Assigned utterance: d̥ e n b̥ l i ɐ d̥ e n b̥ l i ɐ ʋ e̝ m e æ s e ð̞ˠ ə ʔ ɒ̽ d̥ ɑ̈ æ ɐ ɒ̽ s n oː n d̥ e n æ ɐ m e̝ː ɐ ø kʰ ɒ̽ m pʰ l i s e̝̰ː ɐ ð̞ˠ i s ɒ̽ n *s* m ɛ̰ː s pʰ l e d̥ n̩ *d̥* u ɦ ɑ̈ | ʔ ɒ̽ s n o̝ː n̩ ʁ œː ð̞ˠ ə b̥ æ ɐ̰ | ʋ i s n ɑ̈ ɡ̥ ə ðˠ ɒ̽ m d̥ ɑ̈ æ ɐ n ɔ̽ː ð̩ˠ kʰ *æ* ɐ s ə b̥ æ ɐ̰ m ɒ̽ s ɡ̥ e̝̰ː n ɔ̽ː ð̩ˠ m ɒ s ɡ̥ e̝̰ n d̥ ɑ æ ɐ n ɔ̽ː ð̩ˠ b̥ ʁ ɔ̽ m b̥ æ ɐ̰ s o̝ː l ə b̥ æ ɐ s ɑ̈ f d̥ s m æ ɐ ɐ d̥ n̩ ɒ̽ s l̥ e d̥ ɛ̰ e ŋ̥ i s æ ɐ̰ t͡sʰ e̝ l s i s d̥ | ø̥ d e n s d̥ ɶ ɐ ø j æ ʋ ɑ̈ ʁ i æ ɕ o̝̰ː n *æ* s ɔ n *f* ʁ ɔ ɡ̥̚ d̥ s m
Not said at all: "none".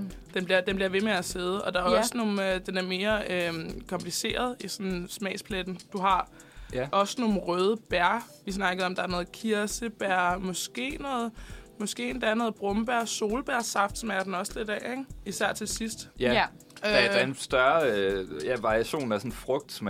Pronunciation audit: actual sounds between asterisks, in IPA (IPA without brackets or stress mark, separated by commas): s, d̥, i, æ, f